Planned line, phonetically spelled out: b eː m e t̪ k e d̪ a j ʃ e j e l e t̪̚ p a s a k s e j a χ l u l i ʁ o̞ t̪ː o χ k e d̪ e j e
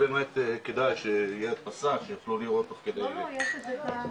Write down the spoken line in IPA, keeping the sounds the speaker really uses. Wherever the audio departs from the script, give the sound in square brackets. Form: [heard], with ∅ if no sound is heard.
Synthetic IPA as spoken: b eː m e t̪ k e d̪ a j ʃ e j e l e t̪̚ p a s a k [ʃ] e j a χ l u l i ʁ o̞ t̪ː o χ k e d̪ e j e